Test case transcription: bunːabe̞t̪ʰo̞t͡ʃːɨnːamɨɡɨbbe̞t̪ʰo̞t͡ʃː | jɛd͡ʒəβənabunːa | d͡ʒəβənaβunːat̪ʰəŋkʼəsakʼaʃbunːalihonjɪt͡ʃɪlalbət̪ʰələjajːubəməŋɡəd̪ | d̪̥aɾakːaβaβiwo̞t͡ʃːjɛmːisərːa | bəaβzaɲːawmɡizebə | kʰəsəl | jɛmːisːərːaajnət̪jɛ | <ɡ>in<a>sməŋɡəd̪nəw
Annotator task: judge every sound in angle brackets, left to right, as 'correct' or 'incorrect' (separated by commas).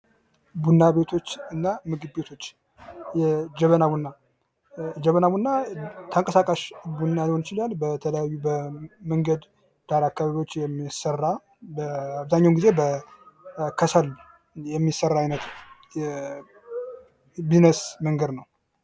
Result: incorrect, incorrect